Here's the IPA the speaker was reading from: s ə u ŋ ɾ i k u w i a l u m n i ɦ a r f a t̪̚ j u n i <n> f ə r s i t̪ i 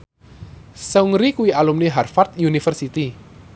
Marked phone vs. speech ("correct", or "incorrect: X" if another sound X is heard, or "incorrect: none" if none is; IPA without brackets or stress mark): incorrect: none